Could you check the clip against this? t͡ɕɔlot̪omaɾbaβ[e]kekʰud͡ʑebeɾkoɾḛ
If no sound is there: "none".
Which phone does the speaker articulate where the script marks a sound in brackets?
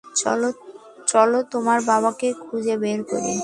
a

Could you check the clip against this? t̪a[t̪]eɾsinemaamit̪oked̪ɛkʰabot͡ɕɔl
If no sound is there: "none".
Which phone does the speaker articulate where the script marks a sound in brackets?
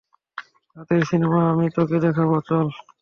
t̪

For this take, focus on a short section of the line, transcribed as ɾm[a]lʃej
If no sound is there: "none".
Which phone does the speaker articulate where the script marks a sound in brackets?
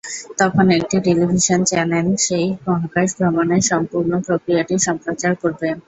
e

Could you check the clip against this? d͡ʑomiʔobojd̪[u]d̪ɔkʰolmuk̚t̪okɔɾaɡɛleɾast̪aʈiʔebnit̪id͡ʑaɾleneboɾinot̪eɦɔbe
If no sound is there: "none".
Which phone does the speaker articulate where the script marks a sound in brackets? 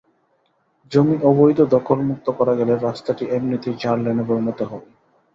o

